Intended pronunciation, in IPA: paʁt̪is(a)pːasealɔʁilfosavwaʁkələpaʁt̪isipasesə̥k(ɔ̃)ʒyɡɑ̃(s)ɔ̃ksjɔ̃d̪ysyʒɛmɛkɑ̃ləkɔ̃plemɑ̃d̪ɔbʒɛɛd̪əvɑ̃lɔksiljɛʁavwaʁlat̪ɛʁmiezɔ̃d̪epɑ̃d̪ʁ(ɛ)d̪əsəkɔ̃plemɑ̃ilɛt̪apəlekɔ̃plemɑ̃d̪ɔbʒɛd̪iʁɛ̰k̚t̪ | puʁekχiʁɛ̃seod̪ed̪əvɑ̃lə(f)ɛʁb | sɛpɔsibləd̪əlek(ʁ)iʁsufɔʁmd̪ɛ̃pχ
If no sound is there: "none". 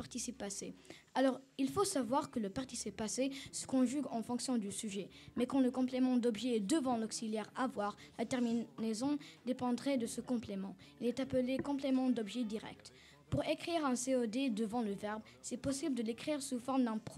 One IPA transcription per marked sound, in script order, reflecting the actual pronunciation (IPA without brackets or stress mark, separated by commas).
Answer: i, ɔ̃, f, ɛ, v, χ